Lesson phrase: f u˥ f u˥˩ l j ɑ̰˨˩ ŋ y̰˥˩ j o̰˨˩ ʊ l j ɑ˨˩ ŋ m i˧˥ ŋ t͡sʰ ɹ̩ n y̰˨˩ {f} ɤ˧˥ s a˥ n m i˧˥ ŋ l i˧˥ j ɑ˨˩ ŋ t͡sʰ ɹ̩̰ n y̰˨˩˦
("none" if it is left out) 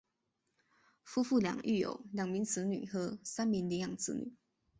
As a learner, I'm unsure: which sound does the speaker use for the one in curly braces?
x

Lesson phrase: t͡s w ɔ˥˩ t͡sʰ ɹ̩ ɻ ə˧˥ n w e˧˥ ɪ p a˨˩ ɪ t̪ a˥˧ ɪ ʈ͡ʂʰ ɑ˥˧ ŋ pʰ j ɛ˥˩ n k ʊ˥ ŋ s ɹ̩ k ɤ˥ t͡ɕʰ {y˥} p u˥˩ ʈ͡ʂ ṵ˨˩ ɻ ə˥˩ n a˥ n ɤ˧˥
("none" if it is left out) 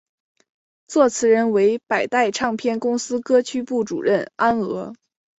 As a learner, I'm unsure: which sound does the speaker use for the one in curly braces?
y˥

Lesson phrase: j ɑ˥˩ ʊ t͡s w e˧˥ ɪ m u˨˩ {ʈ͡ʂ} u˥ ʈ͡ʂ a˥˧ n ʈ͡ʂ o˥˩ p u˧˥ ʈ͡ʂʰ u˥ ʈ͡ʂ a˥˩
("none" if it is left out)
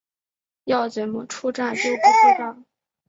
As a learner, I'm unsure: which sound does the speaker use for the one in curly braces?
ʈ͡ʂʰ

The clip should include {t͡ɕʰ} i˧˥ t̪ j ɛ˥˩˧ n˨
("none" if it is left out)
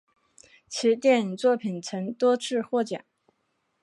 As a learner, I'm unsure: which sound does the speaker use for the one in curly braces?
t͡ɕʰ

